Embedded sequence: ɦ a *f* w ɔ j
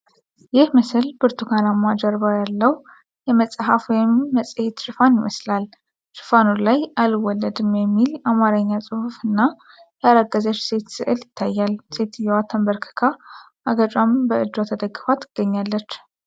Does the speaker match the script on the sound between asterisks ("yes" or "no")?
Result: yes